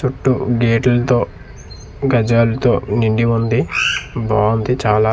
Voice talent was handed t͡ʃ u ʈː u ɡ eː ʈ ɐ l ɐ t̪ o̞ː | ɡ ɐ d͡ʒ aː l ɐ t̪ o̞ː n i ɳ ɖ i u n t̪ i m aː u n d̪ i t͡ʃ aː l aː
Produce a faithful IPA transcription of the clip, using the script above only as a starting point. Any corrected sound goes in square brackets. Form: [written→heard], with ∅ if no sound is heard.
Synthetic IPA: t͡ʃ u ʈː u ɡ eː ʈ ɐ l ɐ t̪ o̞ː | ɡ ɐ d͡ʒ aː l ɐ t̪ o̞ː n i ɳ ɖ i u n [t̪→d̪] i [m→b] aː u n d̪ i t͡ʃ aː l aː